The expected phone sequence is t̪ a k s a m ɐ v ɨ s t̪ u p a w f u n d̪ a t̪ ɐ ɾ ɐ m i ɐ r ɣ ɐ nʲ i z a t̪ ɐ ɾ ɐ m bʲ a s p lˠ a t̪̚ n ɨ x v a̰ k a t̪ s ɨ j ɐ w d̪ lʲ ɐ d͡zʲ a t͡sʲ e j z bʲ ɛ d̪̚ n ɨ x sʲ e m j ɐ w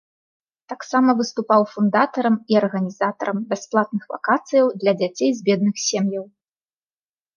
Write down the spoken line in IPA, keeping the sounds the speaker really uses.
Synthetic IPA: t̪ a k s a m ɐ v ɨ s t̪ u p a w f u n d̪ a t̪ ɐ ɾ ɐ m i ɐ r ɣ ɐ nʲ i z a t̪ ɐ ɾ ɐ m bʲ a s p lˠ a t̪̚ n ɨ x v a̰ k a t̪ s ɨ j ɐ w d̪ lʲ ɐ d͡zʲ a t͡sʲ e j z bʲ ɛ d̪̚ n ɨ x sʲ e m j ɐ w

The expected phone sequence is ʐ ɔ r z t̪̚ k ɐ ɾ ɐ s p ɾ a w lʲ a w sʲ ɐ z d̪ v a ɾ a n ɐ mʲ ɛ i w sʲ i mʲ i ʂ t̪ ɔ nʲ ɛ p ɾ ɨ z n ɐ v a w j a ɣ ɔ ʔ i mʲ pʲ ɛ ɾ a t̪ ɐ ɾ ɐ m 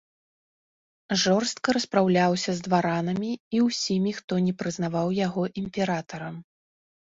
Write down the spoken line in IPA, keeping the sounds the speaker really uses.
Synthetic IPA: ʐ ɔ r s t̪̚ k ɐ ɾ ɐ s p ɾ a w lʲ a w sʲ ɐ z d̪ v a ɾ a n ɐ mʲ i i w sʲ i mʲ i x t̪ ɔ nʲ ɛ p ɾ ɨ z n a v a w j a ɣ ɔ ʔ i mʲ pʲ ɛ ɾ a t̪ ɐ ɾ ɐ m

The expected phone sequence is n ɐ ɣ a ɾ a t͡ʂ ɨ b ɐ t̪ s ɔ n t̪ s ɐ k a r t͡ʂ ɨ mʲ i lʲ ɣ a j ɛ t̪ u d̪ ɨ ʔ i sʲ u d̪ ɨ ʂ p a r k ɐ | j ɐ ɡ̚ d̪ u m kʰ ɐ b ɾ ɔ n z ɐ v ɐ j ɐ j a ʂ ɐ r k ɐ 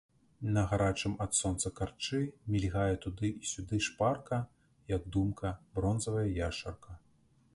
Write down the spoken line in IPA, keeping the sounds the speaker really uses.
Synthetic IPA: n ɐ ɣ a ɾ a t͡ʂ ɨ m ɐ t̪ s ɔ n t̪ s ɐ k a r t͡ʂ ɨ mʲ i lʲ ɣ a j ɛ t̪ u d̪ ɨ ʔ i sʲ u d̪ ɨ ʂ p a r k ɐ | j ɐ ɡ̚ d̪ u m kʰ ɐ b ɾ ɔ n z ɐ v ɐ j ɐ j a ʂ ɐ r k ɐ

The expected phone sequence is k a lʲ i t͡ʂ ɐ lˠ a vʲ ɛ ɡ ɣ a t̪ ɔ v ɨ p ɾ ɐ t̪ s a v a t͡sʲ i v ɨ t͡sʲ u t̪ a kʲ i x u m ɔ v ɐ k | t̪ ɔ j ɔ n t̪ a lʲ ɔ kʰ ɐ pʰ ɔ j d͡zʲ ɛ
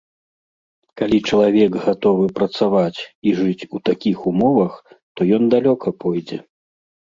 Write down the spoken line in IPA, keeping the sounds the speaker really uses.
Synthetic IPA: k a lʲ i t͡ʂ ɐ lˠ a vʲ ɛ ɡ ɣ a t̪ ɔ v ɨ p ɾ ɐ t̪ s a v a t͡sʲ i ʐ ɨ t͡sʲ u t̪ a kʲ i x u m ɔ v ɐ x | t̪ ɔ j ɔ n d̪ a lʲ ɔ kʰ ɐ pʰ ɔ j d͡zʲ ɛ

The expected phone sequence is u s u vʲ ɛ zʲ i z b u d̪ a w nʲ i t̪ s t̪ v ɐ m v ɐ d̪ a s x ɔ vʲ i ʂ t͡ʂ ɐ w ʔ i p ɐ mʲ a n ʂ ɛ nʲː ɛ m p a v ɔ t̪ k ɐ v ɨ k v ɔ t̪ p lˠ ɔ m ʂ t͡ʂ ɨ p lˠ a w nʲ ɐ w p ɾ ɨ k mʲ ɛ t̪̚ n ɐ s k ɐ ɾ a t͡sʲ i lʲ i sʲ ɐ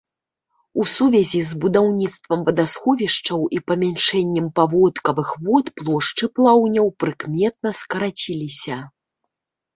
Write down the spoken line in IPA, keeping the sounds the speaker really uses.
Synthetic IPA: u s u vʲ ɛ zʲ i z b u d̪ a w nʲ i t̪ s t̪ v ɐ m v ɐ d̪ a s x ɔ vʲ i ʂ t͡ʂ ɐ w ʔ i p ɐ mʲ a n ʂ ɛ nʲː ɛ m p a v ɔ t̪ k ɐ v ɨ x v ɔ t̪ p lˠ ɔ ʂ t͡ʂ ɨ p lˠ a w nʲ ɐ w p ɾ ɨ k mʲ ɛ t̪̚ n ɐ s k ɐ ɾ a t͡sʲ i lʲ i sʲ ɐ

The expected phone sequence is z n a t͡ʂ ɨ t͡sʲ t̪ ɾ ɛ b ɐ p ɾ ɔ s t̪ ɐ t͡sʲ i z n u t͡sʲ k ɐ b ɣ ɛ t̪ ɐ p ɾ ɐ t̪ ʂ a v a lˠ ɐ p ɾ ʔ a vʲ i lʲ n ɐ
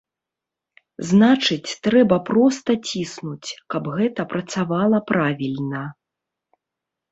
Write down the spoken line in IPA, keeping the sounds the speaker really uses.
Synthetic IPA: z n a t͡ʂ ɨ t͡sʲ t̪ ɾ ɛ b ɐ p ɾ ɔ s t̪ ɐ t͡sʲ i s n u t͡sʲ k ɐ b ɣ ɛ t̪ ɐ p ɾ ɐ t̪ s a v a lˠ ɐ p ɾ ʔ a vʲ i lʲ n ɐ

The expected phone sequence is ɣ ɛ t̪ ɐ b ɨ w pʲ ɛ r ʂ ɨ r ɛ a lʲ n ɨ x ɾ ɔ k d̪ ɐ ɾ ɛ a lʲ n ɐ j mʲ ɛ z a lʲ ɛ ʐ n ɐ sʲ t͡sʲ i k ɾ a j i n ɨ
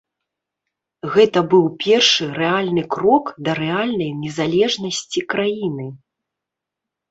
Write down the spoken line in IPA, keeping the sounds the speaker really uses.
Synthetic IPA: ɣ ɛ t̪ ɐ b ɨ w pʲ ɛ r ʂ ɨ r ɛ a lʲ n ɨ k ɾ ɔ k d̪ ɐ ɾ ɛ a lʲ n ɐ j nʲ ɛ z a lʲ ɛ ʐ n ɐ sʲ t͡sʲ i k ɾ a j i n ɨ

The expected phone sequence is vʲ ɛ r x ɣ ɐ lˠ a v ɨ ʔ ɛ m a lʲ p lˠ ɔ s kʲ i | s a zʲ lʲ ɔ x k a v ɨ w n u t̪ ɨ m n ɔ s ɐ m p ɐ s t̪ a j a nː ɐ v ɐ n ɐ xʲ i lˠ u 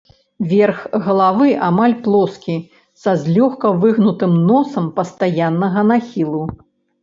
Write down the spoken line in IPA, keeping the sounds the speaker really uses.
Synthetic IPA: vʲ ɛ r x ɣ ɐ lˠ a v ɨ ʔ a m a lʲ p lˠ ɔ s kʲ i | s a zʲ lʲ ɔ x k ɐ v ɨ ɣ n u t̪ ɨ m n ɔ s ɐ m p ɐ s t̪ a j a nː ɐ ɣ ɐ n a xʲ i lˠ u

